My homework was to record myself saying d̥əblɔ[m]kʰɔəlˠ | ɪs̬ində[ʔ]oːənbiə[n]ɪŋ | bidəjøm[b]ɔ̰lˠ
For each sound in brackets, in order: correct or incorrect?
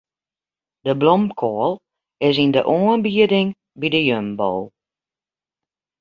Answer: correct, correct, incorrect: d, correct

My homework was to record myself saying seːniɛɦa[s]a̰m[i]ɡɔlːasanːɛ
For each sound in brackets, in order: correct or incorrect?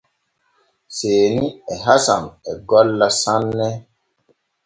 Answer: correct, incorrect: ɛ

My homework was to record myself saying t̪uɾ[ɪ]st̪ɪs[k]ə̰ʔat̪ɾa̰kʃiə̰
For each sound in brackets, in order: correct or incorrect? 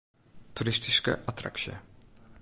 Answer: correct, correct

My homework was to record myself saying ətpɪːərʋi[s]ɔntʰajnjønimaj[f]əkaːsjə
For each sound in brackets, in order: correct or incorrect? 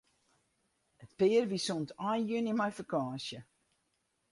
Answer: correct, correct

